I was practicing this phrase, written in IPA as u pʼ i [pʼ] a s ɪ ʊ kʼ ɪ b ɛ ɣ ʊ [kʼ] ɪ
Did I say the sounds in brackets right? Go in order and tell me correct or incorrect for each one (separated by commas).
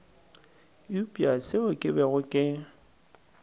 incorrect, correct